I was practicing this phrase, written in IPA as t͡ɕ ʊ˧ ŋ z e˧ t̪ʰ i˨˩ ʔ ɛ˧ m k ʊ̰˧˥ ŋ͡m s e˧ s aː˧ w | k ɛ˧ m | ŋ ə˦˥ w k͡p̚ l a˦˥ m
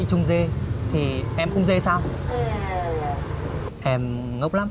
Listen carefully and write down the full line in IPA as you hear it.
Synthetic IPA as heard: t͡ɕ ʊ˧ ŋ͡m z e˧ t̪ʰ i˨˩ ʔ ɛ˧ m k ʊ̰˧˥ ŋ͡m z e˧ s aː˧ w | ʔ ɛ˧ m | ŋ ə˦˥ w k͡p̚ l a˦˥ m